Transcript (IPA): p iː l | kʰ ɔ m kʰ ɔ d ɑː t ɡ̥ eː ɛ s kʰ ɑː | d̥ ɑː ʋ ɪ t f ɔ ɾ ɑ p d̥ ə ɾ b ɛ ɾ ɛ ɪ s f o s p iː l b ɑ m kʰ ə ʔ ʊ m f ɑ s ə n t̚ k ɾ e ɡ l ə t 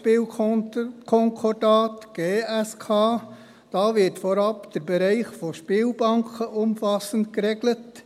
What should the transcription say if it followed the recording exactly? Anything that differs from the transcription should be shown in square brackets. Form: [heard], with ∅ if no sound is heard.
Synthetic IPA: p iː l | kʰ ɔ [ŋ] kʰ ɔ d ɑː t ɡ̥ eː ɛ s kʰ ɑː | d̥ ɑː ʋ ɪ t f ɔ ɾ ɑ p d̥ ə ɾ b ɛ ɾ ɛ ɪ [χ] f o [ʃ] p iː l b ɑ [ŋ] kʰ ə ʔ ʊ m f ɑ s ə n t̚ k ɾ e ɡ l ə t